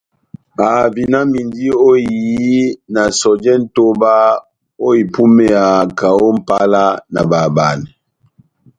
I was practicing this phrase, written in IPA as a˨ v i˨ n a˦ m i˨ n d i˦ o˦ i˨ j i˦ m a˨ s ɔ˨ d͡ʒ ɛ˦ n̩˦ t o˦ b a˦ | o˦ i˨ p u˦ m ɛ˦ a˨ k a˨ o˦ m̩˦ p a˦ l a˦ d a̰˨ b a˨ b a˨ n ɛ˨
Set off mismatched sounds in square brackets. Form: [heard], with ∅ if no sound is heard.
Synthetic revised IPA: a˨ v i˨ n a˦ m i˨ n d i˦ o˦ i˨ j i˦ [n] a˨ s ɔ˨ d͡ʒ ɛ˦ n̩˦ t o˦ b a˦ | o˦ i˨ p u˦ m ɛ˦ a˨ k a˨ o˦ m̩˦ p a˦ l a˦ [n] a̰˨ b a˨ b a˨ n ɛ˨